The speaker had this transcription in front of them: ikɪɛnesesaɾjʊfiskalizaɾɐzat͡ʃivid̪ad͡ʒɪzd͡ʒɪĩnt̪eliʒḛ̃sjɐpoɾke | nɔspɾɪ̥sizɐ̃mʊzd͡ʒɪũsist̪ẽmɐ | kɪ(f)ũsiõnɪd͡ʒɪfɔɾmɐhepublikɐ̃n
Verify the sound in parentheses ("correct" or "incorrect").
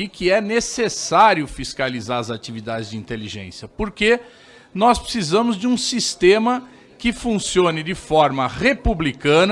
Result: correct